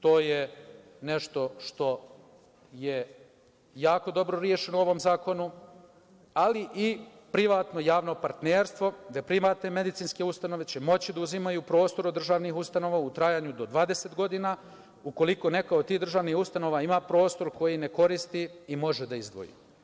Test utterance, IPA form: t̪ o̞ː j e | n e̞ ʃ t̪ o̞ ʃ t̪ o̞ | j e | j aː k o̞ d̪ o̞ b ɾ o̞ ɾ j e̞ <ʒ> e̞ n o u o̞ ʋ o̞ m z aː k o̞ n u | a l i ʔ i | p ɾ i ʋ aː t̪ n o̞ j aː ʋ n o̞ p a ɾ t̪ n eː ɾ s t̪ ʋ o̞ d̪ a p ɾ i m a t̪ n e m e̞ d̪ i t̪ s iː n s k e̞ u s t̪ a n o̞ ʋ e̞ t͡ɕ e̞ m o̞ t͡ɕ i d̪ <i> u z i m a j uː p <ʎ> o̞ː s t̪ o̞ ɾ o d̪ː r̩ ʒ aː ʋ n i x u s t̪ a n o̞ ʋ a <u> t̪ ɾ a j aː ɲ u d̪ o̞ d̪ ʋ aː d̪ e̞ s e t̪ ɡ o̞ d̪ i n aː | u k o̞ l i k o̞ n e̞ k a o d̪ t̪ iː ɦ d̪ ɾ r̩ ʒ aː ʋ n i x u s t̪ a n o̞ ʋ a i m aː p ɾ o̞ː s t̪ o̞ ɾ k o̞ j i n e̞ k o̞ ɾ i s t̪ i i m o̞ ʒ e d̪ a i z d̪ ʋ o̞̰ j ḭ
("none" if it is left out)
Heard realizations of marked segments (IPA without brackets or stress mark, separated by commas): ʃ, a, ɾ, u